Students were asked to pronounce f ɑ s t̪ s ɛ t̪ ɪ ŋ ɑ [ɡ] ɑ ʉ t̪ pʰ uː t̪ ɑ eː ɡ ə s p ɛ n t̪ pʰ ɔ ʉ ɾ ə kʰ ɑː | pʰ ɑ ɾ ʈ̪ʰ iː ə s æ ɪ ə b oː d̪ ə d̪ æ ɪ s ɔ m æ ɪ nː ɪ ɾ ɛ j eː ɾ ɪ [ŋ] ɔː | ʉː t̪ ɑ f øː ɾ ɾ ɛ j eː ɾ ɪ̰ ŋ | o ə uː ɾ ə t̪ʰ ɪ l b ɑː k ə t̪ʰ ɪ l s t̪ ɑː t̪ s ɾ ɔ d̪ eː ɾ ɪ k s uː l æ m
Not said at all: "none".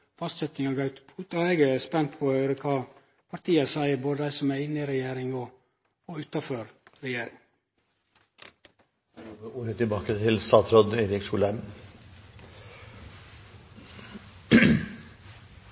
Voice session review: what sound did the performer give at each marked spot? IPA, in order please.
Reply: ɡ, ŋ

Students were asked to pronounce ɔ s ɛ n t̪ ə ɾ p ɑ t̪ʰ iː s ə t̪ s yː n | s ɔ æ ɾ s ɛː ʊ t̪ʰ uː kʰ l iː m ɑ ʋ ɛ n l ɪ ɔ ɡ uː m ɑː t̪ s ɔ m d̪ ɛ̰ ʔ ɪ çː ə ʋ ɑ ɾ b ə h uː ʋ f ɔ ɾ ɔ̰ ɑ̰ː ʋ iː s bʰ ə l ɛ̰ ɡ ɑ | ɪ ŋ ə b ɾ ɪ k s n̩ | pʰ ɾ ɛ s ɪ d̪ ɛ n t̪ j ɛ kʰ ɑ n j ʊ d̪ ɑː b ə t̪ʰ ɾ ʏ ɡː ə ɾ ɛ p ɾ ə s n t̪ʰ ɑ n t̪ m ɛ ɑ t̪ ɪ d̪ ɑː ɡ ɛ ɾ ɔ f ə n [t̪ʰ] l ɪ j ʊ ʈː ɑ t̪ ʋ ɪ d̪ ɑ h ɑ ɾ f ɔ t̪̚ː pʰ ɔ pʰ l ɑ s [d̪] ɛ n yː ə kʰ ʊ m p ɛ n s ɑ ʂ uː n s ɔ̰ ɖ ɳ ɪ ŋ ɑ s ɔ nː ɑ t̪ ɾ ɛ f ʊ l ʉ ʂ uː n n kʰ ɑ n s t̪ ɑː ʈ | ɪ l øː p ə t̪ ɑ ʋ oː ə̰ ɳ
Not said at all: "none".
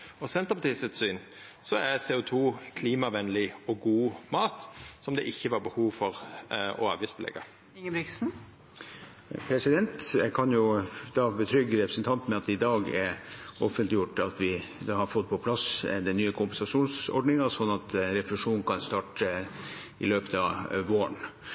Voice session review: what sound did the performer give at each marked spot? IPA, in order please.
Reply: t̪, d̪

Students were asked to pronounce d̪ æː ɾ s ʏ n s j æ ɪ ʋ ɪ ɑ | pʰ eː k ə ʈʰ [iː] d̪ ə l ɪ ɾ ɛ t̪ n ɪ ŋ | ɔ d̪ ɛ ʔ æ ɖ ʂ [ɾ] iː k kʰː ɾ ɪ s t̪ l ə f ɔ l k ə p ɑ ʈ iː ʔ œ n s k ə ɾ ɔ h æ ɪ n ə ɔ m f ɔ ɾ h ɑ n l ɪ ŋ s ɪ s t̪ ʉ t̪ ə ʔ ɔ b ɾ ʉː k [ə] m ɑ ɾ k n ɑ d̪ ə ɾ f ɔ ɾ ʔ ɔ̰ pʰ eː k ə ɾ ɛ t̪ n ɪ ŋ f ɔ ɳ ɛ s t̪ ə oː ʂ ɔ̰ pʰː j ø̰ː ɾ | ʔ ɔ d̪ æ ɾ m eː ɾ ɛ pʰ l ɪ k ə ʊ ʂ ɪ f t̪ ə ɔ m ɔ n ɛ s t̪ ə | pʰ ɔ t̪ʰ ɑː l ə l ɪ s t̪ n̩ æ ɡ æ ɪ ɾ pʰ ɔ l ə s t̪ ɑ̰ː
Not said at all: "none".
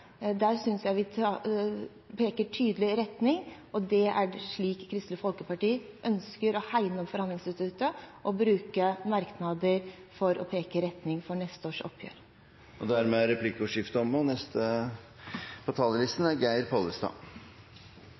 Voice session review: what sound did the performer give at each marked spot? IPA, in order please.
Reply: yː, ɭ, ə

